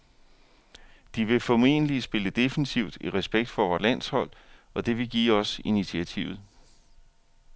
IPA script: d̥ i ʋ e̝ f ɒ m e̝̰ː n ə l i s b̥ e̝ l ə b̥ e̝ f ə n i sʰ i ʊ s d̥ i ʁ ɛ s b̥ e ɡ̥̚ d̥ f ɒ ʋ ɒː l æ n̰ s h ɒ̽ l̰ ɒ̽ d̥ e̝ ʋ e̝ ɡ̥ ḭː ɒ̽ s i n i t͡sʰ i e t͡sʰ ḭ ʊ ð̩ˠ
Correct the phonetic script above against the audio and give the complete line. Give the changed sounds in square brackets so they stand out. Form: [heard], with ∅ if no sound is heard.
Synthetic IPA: d̥ i ʋ e̝ f ɒ m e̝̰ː n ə l i s b̥ e̝ l ə [d̥] e̝ f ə n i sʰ i ʊ [∅] d̥ i ʁ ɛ s b̥ e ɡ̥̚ d̥ f ɒ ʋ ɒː l æ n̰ s h ɒ̽ l̰ ɒ̽ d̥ e̝ ʋ e̝ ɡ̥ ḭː ɒ̽ s i n i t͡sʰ i [æ] t͡sʰ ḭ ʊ ð̩ˠ